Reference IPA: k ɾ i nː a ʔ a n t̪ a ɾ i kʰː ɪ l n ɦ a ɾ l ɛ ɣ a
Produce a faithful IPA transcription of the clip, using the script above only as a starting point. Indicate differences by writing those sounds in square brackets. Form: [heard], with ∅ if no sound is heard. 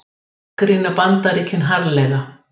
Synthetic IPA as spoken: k ɾ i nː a [p] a n t̪ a ɾ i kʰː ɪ [∅] n ɦ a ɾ l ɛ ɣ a